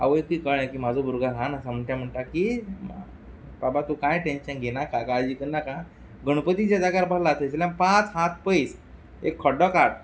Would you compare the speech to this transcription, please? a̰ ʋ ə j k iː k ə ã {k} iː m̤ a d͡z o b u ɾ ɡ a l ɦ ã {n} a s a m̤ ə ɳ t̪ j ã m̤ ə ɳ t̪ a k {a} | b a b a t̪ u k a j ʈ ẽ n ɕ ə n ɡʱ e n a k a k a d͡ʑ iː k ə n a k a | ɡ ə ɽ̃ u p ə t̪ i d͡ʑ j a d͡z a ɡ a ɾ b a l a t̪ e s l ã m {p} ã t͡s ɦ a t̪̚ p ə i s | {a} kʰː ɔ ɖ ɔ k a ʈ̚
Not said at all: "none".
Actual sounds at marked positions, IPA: k, n, i, p, e

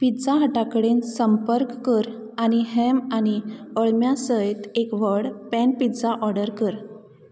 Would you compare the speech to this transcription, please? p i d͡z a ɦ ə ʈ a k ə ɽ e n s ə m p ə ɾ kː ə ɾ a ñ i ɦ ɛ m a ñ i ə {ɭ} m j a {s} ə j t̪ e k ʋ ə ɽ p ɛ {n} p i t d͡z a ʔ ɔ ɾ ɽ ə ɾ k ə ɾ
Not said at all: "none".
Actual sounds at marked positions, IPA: ɭ, s, n

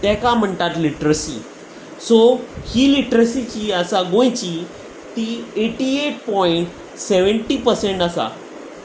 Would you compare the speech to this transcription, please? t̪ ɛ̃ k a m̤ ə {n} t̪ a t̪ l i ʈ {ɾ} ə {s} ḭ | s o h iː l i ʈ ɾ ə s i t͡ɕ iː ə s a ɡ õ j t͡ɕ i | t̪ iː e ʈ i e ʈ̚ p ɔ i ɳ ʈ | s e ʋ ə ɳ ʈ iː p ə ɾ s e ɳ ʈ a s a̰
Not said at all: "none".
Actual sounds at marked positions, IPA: ɳ, ɾ, s

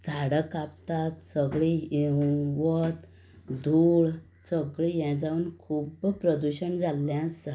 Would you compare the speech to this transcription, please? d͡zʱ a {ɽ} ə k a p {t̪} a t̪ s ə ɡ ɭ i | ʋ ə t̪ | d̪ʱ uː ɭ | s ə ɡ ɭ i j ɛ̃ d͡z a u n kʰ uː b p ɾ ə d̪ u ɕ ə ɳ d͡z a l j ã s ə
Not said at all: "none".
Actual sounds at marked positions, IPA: ɽ, t̪

